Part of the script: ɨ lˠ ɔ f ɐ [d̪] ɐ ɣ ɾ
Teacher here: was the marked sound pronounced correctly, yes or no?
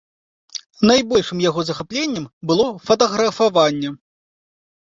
no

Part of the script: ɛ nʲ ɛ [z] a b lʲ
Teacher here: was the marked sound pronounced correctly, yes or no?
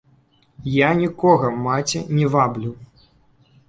no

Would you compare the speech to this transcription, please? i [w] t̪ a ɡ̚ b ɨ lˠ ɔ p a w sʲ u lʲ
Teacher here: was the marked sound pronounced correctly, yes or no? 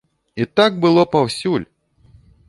no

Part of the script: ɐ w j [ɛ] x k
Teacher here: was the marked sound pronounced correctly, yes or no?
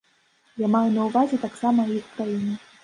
no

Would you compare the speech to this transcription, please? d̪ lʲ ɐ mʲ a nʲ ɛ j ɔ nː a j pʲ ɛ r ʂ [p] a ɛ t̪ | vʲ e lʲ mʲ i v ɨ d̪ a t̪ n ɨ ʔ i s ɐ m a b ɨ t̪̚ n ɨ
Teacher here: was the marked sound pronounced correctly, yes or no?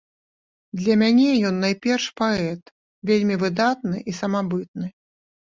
yes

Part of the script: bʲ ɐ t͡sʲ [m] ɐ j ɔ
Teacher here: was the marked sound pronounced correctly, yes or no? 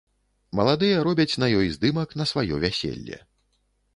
no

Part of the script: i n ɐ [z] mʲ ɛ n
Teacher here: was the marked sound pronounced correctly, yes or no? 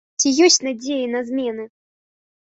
yes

